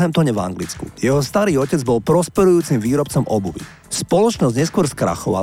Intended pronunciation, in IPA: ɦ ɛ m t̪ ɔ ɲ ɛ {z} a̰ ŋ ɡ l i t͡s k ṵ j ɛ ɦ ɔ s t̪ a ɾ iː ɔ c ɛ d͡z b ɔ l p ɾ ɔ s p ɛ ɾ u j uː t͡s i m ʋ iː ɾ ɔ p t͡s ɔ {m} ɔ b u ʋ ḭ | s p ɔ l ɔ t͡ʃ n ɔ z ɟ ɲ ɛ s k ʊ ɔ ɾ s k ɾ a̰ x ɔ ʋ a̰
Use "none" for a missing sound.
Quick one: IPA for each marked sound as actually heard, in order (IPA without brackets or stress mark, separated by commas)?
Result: v, m